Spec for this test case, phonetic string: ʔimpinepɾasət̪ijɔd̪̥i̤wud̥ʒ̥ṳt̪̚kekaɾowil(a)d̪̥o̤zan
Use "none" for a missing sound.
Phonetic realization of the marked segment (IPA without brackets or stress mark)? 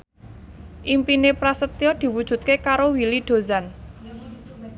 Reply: i